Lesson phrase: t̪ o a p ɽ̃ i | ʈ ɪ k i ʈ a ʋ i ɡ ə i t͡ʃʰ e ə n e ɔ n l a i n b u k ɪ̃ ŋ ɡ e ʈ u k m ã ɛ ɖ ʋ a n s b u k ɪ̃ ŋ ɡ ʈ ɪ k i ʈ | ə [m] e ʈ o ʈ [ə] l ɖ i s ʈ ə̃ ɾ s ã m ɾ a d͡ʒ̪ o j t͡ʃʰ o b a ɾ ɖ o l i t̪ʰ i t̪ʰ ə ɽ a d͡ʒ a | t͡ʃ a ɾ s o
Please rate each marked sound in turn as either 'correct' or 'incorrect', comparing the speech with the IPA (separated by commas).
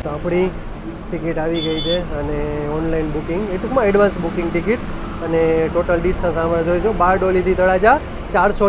incorrect, correct